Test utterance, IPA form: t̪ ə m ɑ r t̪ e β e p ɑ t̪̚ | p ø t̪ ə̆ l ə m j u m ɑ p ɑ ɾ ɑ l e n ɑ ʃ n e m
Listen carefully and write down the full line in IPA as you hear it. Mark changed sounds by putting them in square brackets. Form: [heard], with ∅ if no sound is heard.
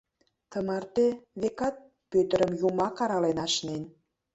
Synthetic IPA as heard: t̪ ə m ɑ r t̪ e β e [k] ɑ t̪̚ | p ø t̪ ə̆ [ɾ] ə m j u m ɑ [k] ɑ ɾ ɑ l e n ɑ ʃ n e [n]